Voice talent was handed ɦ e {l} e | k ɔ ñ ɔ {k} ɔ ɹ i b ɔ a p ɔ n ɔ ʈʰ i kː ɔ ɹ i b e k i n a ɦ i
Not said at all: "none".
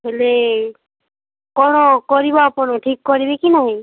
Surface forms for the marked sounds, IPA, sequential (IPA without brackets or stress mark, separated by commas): l, k